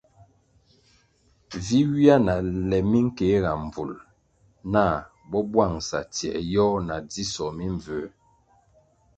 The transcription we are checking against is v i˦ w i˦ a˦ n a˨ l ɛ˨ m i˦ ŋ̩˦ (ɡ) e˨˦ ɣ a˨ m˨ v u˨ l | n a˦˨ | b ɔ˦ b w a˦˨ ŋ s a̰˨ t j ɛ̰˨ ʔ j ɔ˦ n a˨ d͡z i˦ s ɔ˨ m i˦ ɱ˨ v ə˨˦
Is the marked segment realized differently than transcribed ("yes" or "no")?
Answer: yes